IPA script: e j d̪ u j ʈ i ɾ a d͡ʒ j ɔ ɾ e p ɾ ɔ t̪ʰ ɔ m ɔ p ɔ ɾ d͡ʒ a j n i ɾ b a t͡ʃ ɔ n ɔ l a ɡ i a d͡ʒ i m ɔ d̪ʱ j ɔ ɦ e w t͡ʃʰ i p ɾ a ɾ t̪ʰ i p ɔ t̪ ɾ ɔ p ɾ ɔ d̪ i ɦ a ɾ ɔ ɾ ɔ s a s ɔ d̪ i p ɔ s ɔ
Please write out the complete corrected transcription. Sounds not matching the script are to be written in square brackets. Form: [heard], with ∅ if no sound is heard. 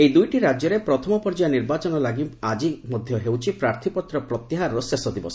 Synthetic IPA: e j d̪ u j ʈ i ɾ a d͡ʒ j ɔ ɾ e p ɾ ɔ t̪ʰ ɔ m ɔ p ɔ ɾ d͡ʒ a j n i ɾ b a t͡ʃ ɔ n ɔ l a ɡ i a d͡ʒ i m ɔ d̪ʱ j ɔ ɦ e w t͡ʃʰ i p ɾ a ɾ t̪ʰ i p ɔ t̪ ɾ ɔ p ɾ ɔ [t̪] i ɦ a ɾ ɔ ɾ ɔ s [e] s ɔ d̪ i [b] ɔ s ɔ

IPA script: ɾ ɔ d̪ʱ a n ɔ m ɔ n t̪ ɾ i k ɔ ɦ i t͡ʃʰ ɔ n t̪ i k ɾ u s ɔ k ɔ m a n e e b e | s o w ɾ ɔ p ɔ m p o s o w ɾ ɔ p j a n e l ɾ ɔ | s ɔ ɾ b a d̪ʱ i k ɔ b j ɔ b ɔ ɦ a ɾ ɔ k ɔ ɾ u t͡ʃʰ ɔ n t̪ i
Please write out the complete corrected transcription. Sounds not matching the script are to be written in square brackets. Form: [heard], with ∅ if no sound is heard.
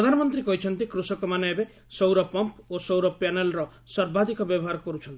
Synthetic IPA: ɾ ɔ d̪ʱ a n ɔ m ɔ n t̪ ɾ i k ɔ ɦ i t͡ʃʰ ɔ n t̪ i k ɾ u s ɔ k ɔ m a n e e b e | s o w ɾ ɔ p ɔ m p o s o w ɾ ɔ p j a n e l ɾ ɔ | s ɔ ɾ b a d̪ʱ i k ɔ b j ɔ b ɔ ɦ a ɾ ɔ k ɔ ɾ u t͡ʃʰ ɔ n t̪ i

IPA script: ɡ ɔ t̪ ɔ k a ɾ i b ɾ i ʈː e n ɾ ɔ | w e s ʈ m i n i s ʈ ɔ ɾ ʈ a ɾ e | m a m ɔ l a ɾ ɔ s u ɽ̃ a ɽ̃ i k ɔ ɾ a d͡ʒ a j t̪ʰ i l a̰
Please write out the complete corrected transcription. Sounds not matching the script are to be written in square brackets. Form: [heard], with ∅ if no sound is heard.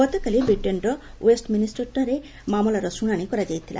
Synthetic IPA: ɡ ɔ t̪ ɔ k a [l] i b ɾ i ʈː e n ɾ ɔ | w e s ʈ m i n i s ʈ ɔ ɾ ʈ a ɾ e | m a m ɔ l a ɾ ɔ s u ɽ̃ a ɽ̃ i k ɔ ɾ a d͡ʒ a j t̪ʰ i l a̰

